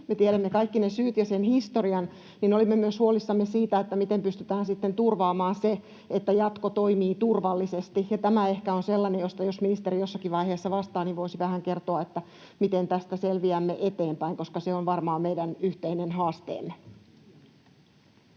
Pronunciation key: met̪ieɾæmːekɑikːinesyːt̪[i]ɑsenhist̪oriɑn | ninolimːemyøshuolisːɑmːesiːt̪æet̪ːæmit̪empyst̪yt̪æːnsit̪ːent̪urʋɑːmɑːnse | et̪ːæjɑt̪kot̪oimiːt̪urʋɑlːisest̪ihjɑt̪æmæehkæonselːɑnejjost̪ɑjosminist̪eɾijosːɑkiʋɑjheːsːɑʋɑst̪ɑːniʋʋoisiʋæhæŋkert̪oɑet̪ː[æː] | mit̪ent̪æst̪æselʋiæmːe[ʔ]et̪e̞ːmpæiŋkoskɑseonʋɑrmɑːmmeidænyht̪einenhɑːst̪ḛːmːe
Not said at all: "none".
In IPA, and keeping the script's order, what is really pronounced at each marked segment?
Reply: j, æ, ʔ

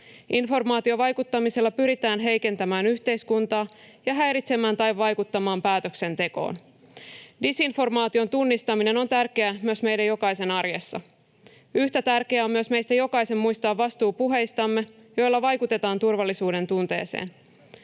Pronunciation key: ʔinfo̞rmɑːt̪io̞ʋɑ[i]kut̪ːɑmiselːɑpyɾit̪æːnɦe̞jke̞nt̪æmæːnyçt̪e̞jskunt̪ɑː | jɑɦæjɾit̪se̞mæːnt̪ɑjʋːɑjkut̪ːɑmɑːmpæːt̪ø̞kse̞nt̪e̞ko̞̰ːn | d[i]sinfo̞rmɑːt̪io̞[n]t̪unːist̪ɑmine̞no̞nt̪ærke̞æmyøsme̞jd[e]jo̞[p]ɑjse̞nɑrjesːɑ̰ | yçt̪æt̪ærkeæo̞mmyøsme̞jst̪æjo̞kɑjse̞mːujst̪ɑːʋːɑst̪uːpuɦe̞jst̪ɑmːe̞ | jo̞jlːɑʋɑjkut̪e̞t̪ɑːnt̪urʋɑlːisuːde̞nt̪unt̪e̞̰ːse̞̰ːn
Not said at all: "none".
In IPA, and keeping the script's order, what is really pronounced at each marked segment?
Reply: j, i, n, æ, k

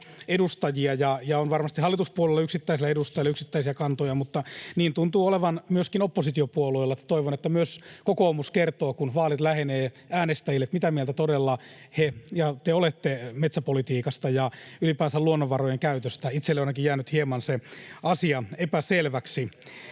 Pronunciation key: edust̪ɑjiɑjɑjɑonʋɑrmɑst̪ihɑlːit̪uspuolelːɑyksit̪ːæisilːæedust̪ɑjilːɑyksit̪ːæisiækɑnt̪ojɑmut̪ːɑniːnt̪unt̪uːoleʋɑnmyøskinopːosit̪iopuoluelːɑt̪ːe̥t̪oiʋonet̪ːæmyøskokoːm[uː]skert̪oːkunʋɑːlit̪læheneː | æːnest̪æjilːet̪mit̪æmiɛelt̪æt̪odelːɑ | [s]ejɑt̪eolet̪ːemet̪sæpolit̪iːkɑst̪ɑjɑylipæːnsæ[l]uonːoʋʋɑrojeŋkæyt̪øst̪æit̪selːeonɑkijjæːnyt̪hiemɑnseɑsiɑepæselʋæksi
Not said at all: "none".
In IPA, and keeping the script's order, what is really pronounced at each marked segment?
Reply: u, h, l

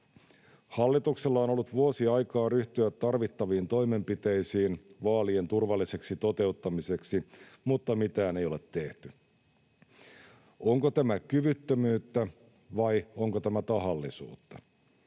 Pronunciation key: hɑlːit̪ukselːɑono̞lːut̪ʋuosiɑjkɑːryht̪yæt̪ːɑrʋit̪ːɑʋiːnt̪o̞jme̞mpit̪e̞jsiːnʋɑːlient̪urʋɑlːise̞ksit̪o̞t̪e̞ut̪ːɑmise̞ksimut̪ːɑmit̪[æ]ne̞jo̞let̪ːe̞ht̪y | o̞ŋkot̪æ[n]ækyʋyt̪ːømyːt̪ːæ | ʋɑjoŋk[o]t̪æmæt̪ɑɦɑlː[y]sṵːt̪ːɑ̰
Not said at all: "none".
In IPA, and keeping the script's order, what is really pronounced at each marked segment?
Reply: æː, m, o, i

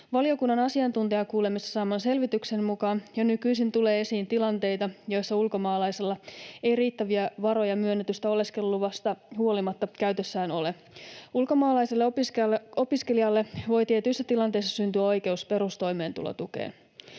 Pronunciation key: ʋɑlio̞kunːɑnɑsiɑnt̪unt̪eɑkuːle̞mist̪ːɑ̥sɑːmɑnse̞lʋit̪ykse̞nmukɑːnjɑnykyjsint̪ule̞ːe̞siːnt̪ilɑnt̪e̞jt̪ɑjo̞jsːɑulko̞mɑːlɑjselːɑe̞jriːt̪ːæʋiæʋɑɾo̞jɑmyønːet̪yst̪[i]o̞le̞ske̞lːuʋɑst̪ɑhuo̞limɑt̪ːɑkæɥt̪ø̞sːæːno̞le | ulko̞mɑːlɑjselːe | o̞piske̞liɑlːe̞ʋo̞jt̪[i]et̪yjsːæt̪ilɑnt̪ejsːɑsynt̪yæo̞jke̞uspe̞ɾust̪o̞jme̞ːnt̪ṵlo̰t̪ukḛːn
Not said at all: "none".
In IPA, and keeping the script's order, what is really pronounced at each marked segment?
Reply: æ, i

